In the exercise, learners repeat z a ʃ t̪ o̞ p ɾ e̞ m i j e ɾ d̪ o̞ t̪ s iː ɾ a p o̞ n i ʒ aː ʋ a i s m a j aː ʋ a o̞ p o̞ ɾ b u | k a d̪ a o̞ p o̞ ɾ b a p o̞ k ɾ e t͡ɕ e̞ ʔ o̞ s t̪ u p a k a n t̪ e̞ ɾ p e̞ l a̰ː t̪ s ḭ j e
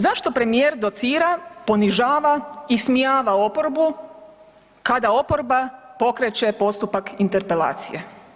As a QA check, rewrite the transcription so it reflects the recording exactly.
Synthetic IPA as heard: z a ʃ t̪ o̞ p ɾ e̞ m i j e ɾ d̪ o̞ t̪ s iː ɾ a p o̞ n i ʒ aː ʋ a i s m i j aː ʋ a o̞ p o̞ ɾ b u | k a d̪ a o̞ p o̞ ɾ b a p o̞ k ɾ e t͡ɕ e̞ p o̞ s t̪ u p a k i n t̪ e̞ ɾ p e̞ l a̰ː t̪ s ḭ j e

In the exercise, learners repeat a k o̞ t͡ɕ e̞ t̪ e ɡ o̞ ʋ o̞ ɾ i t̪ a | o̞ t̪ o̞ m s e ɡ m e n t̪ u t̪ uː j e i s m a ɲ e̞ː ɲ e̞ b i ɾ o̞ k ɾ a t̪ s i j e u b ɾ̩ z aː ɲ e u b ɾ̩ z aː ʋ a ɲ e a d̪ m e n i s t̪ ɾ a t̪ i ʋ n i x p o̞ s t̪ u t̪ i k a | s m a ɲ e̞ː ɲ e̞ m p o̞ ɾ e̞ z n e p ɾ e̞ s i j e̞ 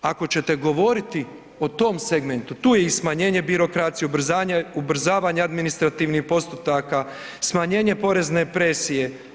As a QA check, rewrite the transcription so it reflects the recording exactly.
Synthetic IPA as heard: a k o̞ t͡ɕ e̞ t̪ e ɡ o̞ ʋ o̞ ɾ i t̪ i | o̞ t̪ o̞ m s e ɡ m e n t̪ u t̪ uː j e i s m a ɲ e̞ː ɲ e̞ b i ɾ o̞ k ɾ a t̪ s i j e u b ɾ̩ z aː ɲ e u b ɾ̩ z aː ʋ a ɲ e a d̪ m i n i s t̪ ɾ a t̪ i ʋ n i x p o̞ s t̪ u t̪ a k a | s m a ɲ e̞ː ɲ e̞ p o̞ ɾ e̞ z n e p ɾ e̞ s i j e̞

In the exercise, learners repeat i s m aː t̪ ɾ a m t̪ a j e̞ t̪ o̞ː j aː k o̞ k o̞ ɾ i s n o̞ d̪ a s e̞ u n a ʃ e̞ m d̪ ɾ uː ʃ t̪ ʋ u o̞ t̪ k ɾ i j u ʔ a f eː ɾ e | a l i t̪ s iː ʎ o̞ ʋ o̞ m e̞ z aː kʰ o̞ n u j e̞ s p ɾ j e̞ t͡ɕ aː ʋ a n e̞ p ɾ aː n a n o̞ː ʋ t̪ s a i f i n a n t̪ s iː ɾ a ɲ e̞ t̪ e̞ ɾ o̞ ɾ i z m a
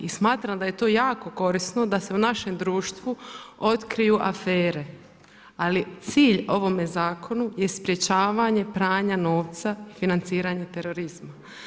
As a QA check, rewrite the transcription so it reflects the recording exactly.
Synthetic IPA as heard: i s m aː t̪ ɾ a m d̪ a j e̞ t̪ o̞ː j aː k o̞ k o̞ ɾ i s n o̞ d̪ a s e̞ u n a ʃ e̞ m d̪ ɾ uː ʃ t̪ ʋ u o̞ t̪ k ɾ i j u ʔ a f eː ɾ e | a l i t̪ s iː ʎ o̞ ʋ o̞ m e̞ z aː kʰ o̞ n u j e̞ s p ɾ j e̞ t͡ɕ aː ʋ a ɲ e̞ p ɾ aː ɲ a n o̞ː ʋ t̪ s a i f i n a n t̪ s iː ɾ a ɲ e̞ t̪ e̞ ɾ o̞ ɾ i z m a

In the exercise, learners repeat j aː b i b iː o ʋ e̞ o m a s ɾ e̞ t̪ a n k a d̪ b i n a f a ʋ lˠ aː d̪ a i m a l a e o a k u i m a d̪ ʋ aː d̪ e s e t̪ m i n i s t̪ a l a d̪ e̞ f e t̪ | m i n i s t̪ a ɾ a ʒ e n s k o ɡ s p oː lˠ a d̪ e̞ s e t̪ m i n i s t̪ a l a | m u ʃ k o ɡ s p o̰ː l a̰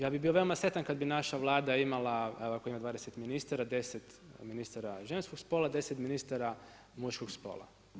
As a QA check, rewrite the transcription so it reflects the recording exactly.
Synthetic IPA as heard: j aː b i b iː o ʋ e̞ o m a s ɾ e̞ t̪ a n k a d̪ b i n a ʃ a ʋ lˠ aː d̪ a i m a l a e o a k o i m a d̪ ʋ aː d̪ e s e t̪ m i n i s t̪ a ɾ a d̪ e̞ s e t̪ | m i n i s t̪ a ɾ a ʒ e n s k o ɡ s p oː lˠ a d̪ e̞ s e t̪ m i n i s t̪ a ɾ a | m u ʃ k o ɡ s p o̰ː l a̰

